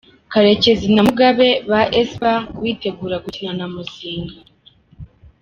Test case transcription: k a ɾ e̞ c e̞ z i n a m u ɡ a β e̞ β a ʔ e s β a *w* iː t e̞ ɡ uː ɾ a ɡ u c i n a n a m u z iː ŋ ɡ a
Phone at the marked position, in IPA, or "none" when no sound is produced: w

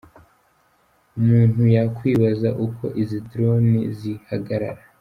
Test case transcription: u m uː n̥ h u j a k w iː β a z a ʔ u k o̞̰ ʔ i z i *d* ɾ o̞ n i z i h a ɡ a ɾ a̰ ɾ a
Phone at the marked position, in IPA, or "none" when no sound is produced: d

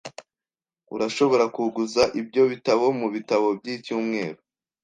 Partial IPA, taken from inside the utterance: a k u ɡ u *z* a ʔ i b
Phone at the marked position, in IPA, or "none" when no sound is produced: z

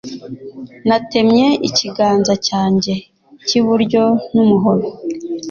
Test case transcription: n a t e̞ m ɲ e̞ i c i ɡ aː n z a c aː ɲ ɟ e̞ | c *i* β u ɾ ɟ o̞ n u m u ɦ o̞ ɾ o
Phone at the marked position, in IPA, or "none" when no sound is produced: i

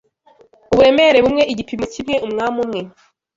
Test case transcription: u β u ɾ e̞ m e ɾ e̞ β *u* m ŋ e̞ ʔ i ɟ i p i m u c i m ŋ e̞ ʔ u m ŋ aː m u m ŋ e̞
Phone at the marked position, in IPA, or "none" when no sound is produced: u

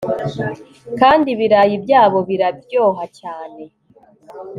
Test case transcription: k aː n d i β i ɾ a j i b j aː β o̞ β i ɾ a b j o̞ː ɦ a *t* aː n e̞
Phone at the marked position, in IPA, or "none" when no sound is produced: c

